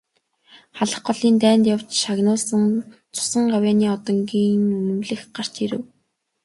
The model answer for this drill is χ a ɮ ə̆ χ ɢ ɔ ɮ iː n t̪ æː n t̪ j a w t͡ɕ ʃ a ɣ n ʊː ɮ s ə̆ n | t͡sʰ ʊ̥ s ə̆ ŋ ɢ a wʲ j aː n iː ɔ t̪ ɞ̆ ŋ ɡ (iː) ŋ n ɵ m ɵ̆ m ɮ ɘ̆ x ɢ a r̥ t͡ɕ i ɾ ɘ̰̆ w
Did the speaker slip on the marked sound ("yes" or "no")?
no